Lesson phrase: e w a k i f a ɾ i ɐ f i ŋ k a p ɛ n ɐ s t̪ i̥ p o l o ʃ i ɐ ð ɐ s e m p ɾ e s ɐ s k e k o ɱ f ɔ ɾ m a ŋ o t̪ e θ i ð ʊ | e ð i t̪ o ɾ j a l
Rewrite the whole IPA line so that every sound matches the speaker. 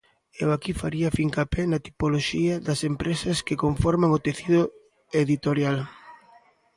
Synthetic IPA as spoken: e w a k i f a ɾ i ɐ f i ŋ k a p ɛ n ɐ t̪ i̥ p o l o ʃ i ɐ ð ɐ s e m p ɾ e s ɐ s k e k o ɱ f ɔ ɾ m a ŋ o t̪ e θ i ð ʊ | e ð i t̪ o ɾ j a l

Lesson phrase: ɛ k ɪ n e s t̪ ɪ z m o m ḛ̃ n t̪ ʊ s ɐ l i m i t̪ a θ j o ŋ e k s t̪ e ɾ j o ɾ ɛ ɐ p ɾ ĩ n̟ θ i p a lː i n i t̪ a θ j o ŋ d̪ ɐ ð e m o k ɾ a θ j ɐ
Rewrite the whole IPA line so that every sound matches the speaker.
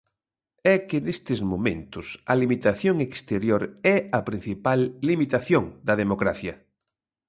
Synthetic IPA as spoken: ɛ k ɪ n e s t̪ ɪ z m o m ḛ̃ n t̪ ʊ s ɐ l i m i t̪ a θ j o ŋ e k s t̪ e ɾ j o ɾ ɛ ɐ p ɾ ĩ n̟ θ i p a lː i m i t̪ a θ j o ŋ d̪ ɐ ð e m o k ɾ a θ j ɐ

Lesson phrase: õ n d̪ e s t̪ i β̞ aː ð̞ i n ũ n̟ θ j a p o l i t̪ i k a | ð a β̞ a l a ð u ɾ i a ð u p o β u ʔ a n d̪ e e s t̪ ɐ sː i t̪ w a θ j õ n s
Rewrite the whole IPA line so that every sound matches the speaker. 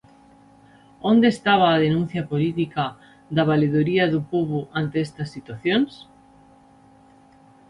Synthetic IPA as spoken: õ n d̪ e s t̪ a β̞ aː ð̞ e n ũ n̟ θ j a p o l i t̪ i k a | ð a β̞ a l e ð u ɾ i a ð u p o β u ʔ a n t̪ e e s t̪ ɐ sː i t̪ w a θ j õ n s

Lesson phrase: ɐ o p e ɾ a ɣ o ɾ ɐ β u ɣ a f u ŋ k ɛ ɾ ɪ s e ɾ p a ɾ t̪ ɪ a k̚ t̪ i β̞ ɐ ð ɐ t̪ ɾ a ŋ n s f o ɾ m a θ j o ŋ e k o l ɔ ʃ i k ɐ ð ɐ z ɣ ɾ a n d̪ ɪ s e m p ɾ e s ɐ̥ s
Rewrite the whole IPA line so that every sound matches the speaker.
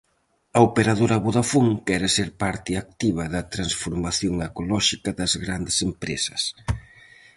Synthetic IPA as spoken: ɐ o p e ɾ a ð o ɾ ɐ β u ð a f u ŋ k ɛ ɾ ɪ s e ɾ p a ɾ t̪ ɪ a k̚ t̪ i β̞ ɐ ð ɐ t̪ ɾ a n s f o ɾ m a θ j o ŋ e k o l ɔ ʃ i k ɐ ð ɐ z ɣ ɾ a n d̪ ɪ s e m p ɾ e s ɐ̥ s

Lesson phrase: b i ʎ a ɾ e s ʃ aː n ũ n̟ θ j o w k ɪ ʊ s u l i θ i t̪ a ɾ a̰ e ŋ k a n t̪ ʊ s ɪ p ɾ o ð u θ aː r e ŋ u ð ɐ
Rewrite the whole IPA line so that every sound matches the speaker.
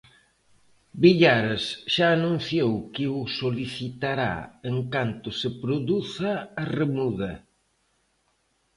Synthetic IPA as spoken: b i ʎ a ɾ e s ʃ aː n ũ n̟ θ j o w k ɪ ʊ s o l i θ i t̪ a ɾ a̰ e ŋ k a n t̪ ʊ s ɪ p ɾ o ð u θ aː r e m u ð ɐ

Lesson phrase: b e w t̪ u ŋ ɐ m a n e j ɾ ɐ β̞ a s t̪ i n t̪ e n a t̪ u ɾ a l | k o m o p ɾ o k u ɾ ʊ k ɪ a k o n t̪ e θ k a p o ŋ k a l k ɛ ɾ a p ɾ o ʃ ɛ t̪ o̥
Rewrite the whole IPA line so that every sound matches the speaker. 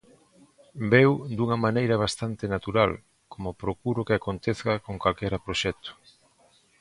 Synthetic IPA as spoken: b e w d̪ u ŋ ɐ m a n e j ɾ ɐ β̞ a s t̪ a n t̪ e n a t̪ u ɾ a l | k o m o p ɾ o k u ɾ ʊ k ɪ a k o n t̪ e θ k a k o ŋ k a l k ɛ ɾ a p ɾ o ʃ ɛ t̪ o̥

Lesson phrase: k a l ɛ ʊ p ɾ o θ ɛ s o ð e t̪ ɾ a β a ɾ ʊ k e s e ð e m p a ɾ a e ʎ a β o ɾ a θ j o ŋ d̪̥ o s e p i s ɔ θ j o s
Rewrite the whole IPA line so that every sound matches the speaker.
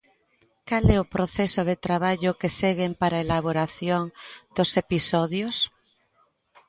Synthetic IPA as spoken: k a l ɛ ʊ p ɾ o θ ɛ s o ð e t̪ ɾ a β a ʎ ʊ k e s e ɣ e m p a ɾ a e l a β o ɾ a θ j o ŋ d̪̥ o s e p i s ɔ ð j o s

